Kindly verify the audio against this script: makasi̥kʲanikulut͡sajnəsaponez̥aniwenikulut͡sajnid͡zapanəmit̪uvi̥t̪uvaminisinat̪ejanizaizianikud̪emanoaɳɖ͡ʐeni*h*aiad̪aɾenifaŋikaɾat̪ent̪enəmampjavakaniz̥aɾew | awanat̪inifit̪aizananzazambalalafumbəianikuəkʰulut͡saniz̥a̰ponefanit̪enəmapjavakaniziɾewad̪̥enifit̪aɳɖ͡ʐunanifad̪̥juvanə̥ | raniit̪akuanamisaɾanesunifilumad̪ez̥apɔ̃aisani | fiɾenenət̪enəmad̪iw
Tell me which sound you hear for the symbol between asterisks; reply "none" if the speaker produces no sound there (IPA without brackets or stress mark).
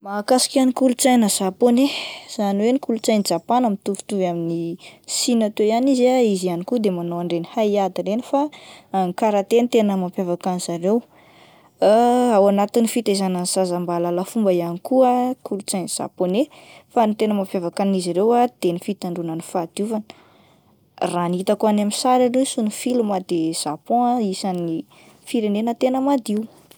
h